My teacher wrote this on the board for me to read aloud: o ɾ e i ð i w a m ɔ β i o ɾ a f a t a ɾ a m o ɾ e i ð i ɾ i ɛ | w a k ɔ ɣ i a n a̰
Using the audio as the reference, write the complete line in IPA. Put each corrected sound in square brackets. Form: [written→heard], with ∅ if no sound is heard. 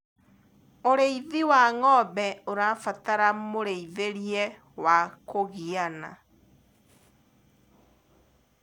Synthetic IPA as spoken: o ɾ e i ð i w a [m→ŋ] ɔ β [i→ɛ] o ɾ a f a t a ɾ a m o ɾ e i ð [i→e] ɾ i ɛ | w a k [ɔ→o] ɣ i a n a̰